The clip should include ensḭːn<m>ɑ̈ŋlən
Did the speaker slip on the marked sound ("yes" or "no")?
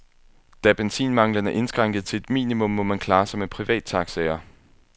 no